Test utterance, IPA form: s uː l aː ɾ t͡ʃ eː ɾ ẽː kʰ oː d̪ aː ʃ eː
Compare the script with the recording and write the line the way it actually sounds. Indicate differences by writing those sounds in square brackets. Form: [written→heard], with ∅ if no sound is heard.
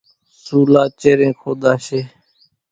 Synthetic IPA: s uː l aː [ɾ→∅] t͡ʃ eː ɾ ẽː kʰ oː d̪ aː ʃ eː